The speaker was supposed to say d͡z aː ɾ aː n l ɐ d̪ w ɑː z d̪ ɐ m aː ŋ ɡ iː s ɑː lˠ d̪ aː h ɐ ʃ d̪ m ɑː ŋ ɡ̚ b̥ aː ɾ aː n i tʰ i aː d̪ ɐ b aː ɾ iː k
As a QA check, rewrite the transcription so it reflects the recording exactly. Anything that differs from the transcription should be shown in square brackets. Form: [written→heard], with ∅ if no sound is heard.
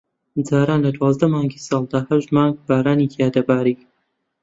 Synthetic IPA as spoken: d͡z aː ɾ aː n l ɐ d̪ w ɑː z d̪ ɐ m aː ŋ ɡ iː s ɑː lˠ d̪ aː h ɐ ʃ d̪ m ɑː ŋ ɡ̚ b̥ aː ɾ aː n i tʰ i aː d̪ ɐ b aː ɾ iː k